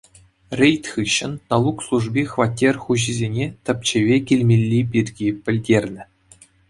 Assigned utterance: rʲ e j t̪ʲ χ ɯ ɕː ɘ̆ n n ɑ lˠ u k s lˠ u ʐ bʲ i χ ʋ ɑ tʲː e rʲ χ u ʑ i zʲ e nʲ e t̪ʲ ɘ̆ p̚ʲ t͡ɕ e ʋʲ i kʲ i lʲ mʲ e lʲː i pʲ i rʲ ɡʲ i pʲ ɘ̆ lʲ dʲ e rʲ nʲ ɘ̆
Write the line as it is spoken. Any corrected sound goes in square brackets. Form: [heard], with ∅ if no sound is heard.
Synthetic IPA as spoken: rʲ e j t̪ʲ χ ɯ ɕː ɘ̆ n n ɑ lˠ u k s lˠ u ʐ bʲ i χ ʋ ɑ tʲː e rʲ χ u ʑ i zʲ e nʲ e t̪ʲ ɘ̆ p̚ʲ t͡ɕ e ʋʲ [e] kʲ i lʲ mʲ e lʲː i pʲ i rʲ ɡʲ i pʲ ɘ̆ lʲ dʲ e rʲ nʲ ɘ̆